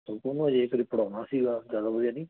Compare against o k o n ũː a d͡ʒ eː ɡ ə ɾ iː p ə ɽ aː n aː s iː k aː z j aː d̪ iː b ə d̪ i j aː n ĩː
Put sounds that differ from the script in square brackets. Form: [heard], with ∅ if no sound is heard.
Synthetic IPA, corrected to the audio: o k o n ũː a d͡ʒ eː [k] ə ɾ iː p ə ɽ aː n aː s iː [ɡ] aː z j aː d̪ [aː] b ə d̪ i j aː n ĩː